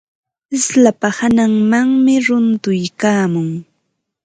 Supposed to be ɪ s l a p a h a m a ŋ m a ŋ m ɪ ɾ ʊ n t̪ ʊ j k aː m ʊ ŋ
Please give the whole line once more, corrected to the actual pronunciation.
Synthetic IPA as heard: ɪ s l a p a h a n a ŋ m a ŋ m ɪ ɾ ʊ n t̪ ʊ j k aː m ʊ ŋ